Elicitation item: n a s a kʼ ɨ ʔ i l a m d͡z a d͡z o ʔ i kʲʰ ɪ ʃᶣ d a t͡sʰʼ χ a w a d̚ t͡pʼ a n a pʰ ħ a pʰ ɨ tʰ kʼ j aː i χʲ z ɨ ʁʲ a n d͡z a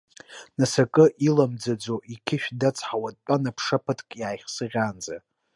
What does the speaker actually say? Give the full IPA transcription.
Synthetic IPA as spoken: n a s a kʼ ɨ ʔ i l a m d͡z a d͡z o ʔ i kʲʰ ɪ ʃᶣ d a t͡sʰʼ ħ a w a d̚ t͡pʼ a n a pʰ ʂ a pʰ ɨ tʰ kʼ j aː j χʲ s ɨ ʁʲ a n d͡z a